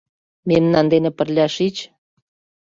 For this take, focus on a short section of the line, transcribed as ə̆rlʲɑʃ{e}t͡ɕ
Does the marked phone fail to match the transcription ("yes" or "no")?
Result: yes